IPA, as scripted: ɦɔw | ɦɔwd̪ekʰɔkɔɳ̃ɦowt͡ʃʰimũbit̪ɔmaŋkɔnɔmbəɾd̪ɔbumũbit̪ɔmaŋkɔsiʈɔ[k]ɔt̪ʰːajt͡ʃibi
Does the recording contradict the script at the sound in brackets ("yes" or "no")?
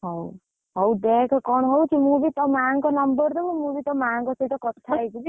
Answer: no